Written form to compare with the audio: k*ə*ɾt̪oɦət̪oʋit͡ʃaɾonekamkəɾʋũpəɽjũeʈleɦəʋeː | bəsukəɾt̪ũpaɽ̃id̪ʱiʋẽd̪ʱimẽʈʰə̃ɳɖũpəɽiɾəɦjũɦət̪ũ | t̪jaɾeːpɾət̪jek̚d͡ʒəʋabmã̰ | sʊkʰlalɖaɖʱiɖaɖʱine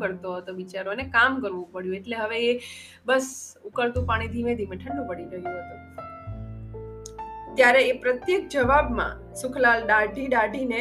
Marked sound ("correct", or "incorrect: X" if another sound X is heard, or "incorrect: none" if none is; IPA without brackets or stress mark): correct